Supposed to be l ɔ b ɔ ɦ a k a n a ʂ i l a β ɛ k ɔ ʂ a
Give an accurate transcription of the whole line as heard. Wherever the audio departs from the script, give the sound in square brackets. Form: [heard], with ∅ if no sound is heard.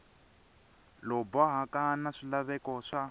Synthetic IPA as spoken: l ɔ b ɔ ɦ a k a n a ʂ i l a β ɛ k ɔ ʂ a